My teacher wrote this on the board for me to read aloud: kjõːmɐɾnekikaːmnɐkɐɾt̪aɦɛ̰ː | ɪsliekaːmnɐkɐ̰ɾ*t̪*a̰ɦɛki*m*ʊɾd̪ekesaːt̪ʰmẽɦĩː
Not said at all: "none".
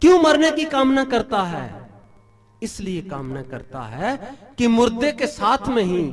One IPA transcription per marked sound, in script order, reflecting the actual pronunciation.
t̪, m

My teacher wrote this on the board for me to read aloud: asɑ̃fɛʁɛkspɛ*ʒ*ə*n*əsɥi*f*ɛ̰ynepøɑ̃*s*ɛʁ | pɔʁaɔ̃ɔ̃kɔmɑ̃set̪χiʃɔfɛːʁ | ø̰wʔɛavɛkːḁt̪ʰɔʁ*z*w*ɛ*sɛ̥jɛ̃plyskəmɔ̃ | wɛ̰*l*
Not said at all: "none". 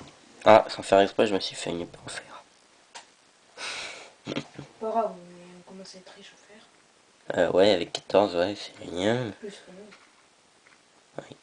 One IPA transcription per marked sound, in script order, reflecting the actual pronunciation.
ʒ, m, f, f, z, ɛ, none

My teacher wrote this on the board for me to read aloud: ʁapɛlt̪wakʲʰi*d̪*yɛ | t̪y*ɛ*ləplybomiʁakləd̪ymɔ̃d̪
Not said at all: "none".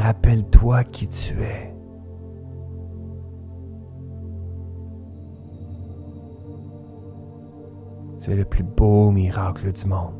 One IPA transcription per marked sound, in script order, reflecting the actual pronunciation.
t̪, ɛ

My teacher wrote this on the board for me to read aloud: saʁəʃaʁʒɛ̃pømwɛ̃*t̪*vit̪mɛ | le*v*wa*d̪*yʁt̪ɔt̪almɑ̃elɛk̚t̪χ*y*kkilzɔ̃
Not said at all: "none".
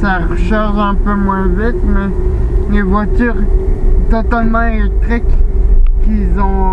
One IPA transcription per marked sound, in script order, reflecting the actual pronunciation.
none, v, t̪, i

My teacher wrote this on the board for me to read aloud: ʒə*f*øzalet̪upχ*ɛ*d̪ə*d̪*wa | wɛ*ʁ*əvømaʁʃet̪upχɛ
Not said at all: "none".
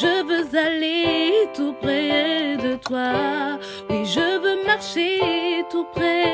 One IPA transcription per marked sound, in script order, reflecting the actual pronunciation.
v, ɛ, t̪, ʒ

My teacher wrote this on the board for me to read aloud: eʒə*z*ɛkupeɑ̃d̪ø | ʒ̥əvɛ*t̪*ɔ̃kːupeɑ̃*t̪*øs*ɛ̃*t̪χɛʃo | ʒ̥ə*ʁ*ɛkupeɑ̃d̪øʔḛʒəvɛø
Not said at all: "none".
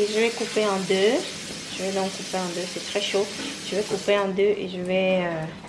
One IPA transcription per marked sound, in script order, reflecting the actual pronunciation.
v, d̪, d̪, ɛ, v

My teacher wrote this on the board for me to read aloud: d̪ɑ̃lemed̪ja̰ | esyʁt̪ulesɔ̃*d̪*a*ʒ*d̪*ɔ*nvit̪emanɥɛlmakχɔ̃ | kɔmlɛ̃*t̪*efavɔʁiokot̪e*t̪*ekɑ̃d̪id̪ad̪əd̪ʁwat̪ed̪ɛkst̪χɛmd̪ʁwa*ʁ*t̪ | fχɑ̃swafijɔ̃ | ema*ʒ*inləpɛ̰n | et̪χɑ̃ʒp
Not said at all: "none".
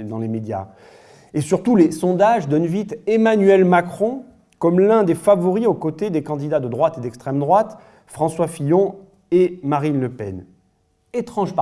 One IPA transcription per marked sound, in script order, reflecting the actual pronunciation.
d̪, ʒ, ɔ, d̪, d̪, none, ʁ

